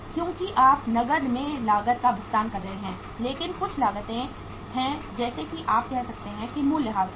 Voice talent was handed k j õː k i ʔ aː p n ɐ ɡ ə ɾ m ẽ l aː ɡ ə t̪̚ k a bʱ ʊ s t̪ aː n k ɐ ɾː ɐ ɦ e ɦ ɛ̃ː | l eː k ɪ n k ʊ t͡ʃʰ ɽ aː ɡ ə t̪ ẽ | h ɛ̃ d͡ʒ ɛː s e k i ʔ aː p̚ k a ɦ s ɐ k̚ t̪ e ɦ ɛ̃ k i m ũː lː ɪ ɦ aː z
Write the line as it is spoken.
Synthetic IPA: k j õː k i ʔ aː p n ɐ ɡ ə ɾ m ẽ l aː ɡ ə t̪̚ k a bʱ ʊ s t̪ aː n k ɐ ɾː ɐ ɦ e ɦ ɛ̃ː | l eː k ɪ n k ʊ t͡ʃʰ l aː ɡ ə t̪ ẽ | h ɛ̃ d͡ʒ ɛː s e k i ʔ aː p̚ k ɛ ɦ s ɐ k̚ t̪ e ɦ ɛ̃ k i m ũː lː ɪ ɦ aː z

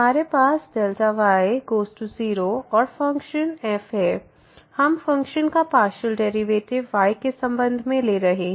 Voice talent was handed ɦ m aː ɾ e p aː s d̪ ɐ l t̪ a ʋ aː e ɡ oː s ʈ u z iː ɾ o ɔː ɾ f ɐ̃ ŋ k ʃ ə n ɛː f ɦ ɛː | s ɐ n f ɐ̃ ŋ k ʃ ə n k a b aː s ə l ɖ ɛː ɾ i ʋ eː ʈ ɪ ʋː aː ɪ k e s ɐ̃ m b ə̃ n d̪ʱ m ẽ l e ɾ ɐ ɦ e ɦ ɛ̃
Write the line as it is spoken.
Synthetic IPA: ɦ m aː ɾ e p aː s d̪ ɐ l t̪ a ʋ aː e ɡ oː s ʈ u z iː ɾ o ɔː ɾ f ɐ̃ ŋ k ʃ ə n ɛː f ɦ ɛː | h ɐ m f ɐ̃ ŋ k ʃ ə n k a p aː ʃ ə l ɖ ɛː ɾ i ʋ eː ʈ ɪ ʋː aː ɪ k e s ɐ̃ m b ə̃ n d̪ʱ m ẽ l e ɾ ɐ ɦ e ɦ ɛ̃

